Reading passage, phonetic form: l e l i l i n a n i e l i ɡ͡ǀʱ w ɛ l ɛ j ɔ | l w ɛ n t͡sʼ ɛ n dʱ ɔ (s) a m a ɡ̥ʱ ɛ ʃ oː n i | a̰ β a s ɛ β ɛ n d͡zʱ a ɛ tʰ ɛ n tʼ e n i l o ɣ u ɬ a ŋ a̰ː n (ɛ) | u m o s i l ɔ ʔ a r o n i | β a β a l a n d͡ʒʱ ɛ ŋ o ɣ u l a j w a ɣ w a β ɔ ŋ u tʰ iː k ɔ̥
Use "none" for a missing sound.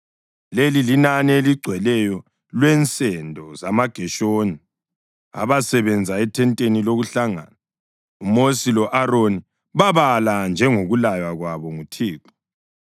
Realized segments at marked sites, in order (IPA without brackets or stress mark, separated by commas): z, a